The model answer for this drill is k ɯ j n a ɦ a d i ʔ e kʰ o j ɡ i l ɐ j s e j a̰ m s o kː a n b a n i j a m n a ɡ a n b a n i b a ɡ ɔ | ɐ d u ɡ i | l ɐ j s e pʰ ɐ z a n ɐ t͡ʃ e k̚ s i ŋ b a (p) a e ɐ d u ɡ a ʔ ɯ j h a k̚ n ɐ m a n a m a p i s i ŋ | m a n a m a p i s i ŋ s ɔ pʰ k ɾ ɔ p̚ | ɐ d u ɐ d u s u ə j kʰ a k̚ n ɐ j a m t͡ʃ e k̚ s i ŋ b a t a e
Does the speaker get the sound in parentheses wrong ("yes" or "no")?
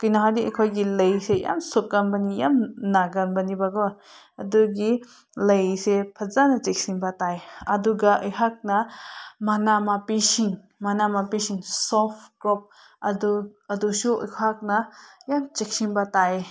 yes